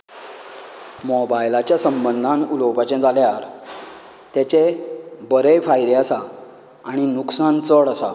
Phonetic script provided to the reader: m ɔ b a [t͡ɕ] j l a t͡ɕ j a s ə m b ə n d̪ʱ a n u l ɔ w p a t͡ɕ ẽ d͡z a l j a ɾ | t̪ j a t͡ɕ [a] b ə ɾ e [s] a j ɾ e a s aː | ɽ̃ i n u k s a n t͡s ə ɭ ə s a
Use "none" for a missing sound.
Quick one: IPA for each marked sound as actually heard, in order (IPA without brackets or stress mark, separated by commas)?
none, e, f